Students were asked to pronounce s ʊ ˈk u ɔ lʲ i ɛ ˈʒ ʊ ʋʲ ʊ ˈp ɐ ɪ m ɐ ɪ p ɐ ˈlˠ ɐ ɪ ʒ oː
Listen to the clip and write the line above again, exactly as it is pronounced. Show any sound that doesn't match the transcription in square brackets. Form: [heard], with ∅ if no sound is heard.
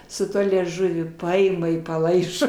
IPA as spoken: s ʊ [ˈt] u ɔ lʲ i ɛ ˈʒ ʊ ʋʲ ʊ ˈp ɐ ɪ m ɐ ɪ p ɐ ˈlˠ ɐ ɪ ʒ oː